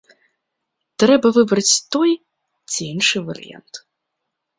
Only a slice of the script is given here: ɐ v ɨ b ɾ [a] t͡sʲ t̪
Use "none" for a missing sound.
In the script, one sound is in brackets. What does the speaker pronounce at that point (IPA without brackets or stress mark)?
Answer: ɐ